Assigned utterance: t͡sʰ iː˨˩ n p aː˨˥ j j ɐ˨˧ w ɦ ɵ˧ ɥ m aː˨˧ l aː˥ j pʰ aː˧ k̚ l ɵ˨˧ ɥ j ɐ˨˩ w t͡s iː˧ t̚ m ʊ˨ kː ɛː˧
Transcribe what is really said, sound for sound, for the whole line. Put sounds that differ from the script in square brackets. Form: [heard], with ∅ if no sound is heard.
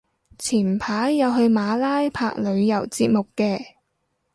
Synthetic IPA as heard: t͡sʰ iː˨˩ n [pʰ] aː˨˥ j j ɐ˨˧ w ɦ ɵ˧ ɥ m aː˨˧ l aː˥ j pʰ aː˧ k̚ l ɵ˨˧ ɥ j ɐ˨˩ w t͡s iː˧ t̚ m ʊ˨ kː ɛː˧